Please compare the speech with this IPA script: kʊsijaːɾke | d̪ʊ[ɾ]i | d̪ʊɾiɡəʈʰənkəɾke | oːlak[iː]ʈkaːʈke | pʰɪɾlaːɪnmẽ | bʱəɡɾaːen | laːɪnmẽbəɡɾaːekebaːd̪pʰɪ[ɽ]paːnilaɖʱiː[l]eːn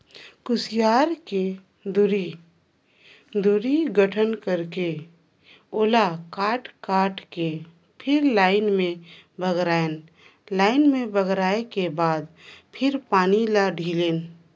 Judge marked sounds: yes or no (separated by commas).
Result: yes, no, no, yes